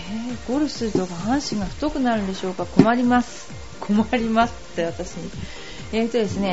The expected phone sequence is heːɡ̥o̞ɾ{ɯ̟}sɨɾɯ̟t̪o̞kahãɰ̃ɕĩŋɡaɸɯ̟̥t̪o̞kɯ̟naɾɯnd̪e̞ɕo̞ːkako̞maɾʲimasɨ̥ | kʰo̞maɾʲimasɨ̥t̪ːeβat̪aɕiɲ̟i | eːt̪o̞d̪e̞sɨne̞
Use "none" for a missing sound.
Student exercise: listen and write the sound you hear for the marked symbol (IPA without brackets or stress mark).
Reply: ɯ̟